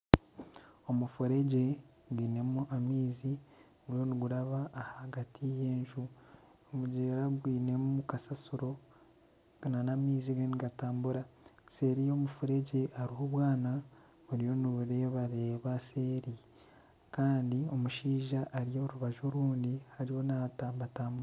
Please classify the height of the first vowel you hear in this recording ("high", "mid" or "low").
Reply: mid